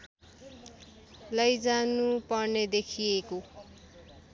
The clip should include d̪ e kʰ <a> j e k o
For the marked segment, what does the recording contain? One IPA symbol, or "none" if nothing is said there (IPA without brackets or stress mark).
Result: i